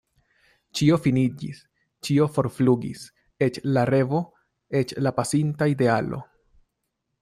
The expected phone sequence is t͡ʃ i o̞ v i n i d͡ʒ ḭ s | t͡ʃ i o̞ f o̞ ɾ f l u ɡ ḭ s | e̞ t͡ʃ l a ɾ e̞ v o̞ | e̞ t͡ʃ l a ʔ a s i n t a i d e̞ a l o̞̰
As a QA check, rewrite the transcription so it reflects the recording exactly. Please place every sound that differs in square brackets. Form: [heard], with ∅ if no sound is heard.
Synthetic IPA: t͡ʃ i o̞ [f] i n i d͡ʒ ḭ s | t͡ʃ i o̞ f o̞ ɾ f l u ɡ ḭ s | e̞ t͡ʃ l a ɾ e̞ v o̞ | e̞ t͡ʃ l a [p] a s i n t a i d e̞ a l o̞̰